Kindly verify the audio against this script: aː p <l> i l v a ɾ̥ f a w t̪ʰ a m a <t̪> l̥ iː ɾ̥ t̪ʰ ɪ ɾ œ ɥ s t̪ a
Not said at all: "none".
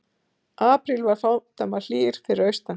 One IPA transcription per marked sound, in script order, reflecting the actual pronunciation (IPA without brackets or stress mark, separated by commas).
ɾ, none